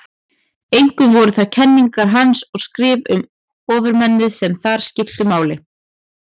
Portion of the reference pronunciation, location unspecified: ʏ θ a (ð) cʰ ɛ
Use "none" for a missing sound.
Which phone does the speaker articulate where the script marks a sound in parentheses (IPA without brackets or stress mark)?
ð